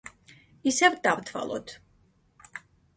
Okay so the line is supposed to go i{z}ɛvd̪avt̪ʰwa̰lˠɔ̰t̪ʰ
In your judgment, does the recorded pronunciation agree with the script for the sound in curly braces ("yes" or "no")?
no